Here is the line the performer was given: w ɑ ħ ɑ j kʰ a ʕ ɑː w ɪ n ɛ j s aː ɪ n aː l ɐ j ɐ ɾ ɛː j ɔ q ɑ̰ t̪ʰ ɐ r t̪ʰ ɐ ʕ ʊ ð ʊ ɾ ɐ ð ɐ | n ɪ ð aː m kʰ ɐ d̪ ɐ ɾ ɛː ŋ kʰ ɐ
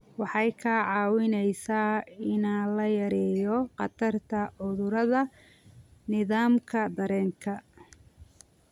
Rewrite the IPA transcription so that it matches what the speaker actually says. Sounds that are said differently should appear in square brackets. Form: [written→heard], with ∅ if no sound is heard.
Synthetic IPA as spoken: w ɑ ħ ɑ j kʰ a ʕ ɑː w ɪ n ɛ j s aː ɪ n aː l ɐ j ɐ ɾ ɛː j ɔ q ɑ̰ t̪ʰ ɐ r t̪ʰ ɐ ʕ ʊ ð ʊ ɾ ɐ ð ɐ | n ɪ ð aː m kʰ ɐ d̪ ɐ ɾ ɛː ŋ kʰ ɐ